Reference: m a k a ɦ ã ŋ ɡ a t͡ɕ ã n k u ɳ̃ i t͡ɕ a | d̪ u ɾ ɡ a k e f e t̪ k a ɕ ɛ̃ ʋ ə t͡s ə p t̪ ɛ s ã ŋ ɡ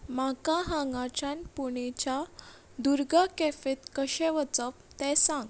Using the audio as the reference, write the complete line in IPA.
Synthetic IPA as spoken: m a k a ɦ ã ŋ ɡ a t͡ɕ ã n p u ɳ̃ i t͡ɕ a | d̪ u ɾ ɡ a k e f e t̪ k ə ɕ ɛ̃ ʋ ə t͡s ə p t̪ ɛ s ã ŋ ɡ